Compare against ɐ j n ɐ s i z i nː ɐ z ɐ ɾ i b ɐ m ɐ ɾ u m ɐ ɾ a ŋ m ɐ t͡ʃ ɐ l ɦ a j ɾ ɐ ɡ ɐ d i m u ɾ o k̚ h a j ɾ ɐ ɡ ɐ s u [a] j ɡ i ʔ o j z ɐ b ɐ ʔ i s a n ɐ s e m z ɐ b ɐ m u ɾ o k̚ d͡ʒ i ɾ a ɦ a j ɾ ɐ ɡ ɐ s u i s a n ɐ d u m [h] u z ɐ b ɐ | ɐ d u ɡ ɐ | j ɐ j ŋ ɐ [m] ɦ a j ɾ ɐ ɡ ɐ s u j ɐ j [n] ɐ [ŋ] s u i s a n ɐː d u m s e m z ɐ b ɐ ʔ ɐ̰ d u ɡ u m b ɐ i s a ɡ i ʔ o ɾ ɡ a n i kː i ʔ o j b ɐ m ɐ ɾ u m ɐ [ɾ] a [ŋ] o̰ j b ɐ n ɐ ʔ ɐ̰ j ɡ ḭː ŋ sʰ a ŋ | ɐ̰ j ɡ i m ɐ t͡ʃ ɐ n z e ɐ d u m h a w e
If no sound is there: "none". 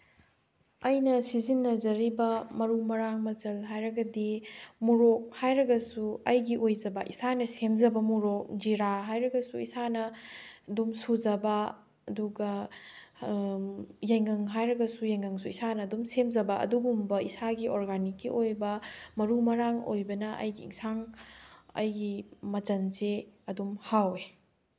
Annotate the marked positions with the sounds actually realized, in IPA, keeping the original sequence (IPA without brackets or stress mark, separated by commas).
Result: ɐ, s, ŋ, ŋ, ŋ, ɾ, ŋ